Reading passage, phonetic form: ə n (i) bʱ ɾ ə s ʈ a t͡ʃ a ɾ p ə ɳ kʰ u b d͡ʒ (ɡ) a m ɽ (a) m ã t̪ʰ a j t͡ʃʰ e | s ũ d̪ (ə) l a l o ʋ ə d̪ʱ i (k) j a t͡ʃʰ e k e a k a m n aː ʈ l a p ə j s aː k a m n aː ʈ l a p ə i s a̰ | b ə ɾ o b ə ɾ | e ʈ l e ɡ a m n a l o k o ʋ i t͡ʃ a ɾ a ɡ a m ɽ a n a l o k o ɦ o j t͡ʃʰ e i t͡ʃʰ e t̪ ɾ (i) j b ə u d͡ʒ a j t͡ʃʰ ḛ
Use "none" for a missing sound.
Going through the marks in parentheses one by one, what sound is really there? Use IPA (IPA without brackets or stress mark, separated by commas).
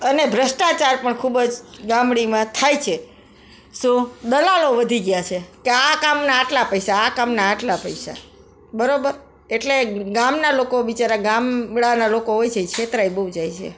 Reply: e, ɡ, i, ə, ɡ, a